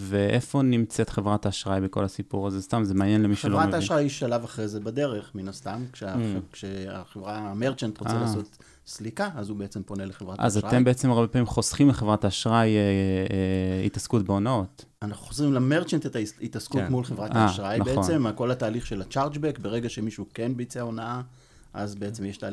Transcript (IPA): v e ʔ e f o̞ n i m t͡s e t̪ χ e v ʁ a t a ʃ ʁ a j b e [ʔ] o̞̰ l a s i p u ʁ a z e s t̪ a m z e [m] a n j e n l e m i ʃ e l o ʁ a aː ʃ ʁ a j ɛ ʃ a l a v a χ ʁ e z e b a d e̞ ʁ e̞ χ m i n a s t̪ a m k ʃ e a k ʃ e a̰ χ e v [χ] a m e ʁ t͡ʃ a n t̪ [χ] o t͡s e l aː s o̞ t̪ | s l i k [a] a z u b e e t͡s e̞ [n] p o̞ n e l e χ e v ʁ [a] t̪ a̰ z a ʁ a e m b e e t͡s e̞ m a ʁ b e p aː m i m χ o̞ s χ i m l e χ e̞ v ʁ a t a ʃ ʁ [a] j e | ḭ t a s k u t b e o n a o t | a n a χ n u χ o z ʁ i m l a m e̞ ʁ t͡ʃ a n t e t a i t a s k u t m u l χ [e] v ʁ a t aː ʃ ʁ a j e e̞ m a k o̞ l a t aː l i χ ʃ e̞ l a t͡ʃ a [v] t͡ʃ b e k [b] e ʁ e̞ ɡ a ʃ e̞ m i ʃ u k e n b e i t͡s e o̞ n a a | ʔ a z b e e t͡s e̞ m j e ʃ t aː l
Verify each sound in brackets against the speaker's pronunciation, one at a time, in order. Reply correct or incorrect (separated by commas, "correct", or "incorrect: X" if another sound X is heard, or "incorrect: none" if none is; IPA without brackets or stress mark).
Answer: incorrect: k, correct, incorrect: ʁ, incorrect: ʁ, correct, incorrect: m, correct, correct, correct, incorrect: ʁ, correct